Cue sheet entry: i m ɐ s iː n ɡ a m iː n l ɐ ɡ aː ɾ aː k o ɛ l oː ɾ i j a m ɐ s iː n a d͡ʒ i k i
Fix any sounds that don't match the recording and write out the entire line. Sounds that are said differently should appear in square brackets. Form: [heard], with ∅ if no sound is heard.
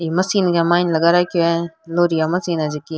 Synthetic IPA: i m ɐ s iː n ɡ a m [aː] n l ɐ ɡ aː ɾ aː k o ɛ l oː ɾ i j a m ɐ s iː n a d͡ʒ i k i